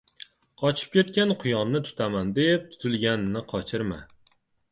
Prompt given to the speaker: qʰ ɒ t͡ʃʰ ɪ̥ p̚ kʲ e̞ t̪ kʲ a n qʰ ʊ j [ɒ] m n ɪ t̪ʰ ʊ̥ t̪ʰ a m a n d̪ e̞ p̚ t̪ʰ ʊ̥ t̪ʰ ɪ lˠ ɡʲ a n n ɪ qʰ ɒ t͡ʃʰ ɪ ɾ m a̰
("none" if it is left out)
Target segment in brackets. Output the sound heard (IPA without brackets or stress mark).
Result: ɒ